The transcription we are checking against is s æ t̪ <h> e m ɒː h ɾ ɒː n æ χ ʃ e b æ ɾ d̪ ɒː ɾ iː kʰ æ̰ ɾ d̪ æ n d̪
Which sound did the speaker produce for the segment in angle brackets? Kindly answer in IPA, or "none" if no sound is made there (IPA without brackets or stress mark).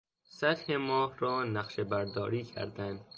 h